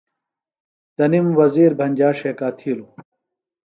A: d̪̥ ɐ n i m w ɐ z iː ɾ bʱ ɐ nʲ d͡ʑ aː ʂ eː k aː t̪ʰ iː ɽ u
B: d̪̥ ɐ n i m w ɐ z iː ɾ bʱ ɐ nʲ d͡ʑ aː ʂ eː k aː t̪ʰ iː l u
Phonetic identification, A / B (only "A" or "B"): B